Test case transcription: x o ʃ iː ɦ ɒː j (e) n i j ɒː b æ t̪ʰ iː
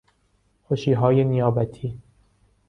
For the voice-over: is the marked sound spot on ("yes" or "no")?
yes